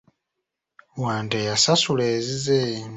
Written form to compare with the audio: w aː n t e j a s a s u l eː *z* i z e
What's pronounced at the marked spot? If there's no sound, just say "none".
z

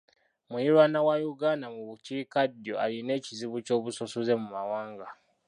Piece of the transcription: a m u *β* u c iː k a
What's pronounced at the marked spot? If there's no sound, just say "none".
β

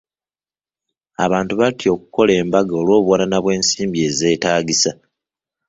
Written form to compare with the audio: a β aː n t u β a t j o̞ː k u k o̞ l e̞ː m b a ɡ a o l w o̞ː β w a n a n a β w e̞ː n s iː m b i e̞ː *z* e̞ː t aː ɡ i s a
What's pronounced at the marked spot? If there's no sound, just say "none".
z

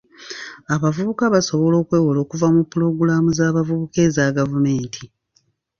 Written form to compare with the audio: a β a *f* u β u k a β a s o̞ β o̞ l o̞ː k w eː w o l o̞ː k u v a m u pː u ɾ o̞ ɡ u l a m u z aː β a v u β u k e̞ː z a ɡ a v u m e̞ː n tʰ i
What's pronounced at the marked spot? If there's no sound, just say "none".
v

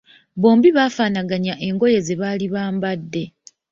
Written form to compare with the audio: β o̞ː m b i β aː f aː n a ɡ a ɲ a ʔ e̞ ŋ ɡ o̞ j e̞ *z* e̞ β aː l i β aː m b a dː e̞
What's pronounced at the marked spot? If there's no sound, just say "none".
z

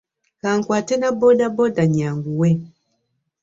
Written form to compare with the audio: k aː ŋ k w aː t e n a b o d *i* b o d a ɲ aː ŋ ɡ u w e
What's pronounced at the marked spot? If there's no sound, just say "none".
a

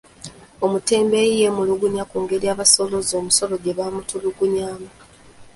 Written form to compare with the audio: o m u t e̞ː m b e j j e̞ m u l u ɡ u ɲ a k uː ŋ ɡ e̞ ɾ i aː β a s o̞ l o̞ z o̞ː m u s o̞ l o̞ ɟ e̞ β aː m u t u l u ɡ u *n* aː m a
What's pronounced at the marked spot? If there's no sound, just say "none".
ɲ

